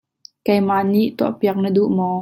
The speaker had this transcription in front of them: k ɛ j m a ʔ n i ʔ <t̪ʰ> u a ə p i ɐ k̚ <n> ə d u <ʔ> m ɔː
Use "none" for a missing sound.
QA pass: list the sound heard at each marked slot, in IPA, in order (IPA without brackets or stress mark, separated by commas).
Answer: t̪, n, ʔ